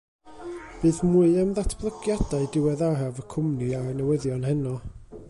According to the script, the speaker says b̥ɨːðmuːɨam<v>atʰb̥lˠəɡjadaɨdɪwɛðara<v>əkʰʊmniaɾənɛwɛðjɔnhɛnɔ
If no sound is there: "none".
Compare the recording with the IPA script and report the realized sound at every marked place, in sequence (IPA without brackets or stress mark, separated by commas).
ð, v